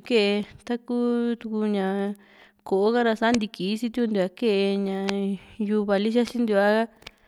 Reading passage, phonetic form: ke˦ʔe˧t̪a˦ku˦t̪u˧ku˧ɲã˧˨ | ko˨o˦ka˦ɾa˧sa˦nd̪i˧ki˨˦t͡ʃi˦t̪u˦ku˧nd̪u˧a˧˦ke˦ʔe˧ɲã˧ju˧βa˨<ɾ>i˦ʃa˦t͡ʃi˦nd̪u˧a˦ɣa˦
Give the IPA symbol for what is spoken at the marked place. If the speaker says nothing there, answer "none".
l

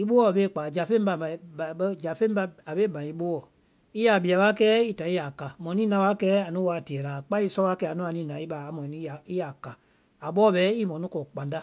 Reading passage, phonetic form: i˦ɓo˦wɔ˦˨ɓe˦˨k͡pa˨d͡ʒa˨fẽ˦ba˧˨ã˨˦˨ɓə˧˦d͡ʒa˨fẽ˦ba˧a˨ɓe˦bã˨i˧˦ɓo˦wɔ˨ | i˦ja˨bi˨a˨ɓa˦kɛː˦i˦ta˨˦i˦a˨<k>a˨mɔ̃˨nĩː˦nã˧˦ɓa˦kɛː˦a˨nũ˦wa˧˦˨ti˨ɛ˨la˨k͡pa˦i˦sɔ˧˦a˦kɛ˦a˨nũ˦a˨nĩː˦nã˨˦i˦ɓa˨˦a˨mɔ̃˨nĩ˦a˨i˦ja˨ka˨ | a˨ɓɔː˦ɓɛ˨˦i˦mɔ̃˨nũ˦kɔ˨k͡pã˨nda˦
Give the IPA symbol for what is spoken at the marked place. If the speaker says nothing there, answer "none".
k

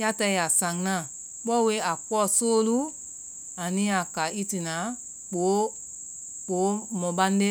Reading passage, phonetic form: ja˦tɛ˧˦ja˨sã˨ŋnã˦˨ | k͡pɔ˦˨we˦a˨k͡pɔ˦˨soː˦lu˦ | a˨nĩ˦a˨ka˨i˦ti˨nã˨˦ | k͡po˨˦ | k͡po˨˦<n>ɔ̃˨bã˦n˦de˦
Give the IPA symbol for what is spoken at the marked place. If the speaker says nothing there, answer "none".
m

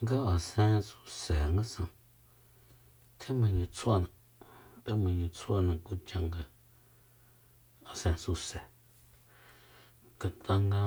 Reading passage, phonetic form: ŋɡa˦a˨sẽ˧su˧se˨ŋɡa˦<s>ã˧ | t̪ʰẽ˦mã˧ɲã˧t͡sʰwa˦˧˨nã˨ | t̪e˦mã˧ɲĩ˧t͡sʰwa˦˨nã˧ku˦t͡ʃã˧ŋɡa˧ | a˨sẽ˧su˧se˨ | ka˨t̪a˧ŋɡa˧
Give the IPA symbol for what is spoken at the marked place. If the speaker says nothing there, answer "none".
s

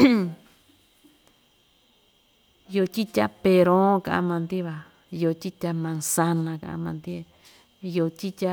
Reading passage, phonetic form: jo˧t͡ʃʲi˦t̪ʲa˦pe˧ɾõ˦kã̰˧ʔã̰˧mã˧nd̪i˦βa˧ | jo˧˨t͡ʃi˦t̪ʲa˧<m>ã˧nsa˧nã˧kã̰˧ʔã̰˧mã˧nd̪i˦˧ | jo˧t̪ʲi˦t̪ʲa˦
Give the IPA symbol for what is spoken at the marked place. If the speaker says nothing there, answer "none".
m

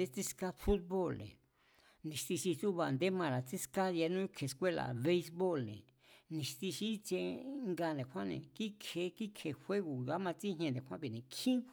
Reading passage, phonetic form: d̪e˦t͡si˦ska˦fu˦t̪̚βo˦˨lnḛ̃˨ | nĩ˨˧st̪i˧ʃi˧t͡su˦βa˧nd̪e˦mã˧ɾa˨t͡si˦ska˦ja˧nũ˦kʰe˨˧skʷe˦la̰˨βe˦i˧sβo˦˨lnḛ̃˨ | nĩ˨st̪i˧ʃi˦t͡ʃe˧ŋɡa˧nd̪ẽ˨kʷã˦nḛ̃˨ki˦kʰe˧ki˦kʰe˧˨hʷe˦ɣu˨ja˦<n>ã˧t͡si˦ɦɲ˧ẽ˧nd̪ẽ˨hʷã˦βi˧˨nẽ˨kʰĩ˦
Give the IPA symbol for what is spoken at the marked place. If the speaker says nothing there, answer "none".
m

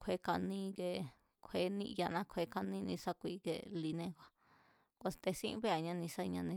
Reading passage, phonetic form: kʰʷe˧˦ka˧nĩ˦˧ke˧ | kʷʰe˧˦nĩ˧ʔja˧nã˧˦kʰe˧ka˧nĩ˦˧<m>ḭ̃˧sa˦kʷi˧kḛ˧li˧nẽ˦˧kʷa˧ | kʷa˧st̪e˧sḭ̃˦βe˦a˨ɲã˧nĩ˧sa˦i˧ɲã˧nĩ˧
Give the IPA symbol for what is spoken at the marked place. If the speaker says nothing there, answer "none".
n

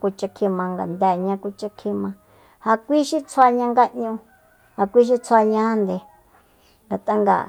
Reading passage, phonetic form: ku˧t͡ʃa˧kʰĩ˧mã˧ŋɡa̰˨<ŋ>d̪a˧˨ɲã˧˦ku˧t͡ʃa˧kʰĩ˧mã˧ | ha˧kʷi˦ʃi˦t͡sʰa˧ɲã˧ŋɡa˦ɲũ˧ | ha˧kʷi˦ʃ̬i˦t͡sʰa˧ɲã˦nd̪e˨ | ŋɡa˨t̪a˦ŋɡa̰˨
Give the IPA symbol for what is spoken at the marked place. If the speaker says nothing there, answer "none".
n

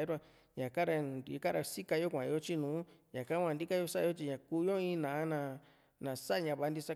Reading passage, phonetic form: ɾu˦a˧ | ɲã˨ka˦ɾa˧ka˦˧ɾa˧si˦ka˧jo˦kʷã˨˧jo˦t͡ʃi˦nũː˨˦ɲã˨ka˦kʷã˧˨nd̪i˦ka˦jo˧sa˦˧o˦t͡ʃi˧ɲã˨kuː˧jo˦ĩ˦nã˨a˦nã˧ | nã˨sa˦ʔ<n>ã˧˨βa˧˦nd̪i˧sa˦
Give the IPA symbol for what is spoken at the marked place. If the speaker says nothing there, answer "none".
ɲ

